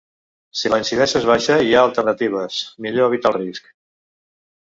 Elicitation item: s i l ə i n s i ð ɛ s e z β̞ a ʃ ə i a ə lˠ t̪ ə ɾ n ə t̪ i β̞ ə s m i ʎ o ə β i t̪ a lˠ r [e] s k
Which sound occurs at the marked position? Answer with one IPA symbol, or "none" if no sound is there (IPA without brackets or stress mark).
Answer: i